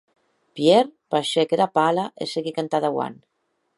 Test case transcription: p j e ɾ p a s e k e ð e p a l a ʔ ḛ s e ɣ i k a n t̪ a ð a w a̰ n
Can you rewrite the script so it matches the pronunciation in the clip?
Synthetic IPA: p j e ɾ p a ʃ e k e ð a p a l a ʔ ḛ s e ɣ i k a n t̪ a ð a w a̰ n